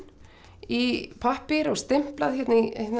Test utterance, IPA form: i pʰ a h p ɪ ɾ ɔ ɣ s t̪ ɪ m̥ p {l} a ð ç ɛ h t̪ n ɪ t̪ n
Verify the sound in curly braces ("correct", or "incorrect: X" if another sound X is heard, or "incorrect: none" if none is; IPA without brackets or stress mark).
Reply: correct